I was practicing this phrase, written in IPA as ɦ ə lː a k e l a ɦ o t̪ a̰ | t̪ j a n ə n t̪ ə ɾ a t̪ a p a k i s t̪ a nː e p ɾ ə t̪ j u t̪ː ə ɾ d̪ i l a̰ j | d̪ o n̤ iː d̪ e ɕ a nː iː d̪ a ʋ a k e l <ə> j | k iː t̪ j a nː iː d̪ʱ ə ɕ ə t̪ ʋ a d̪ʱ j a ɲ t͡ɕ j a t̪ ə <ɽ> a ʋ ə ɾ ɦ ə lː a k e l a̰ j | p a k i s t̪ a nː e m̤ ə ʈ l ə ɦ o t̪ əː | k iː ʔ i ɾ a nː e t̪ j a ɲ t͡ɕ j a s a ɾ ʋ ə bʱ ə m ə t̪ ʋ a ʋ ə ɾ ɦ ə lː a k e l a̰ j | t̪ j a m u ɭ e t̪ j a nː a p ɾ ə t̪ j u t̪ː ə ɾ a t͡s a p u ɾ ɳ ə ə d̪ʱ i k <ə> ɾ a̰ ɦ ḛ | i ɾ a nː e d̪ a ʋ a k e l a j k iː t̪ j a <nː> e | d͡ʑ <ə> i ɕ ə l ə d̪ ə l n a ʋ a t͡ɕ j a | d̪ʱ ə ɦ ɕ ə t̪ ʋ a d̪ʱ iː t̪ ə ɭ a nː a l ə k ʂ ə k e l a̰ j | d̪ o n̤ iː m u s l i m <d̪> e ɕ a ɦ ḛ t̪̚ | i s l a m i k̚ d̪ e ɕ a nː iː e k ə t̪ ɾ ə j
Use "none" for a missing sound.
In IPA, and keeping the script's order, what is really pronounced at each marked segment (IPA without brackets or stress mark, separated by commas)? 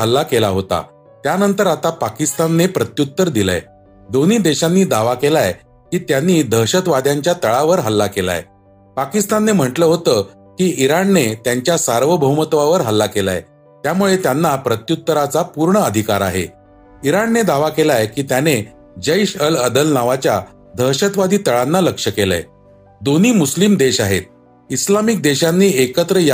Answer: a, ɭ, a, n, ə, d̪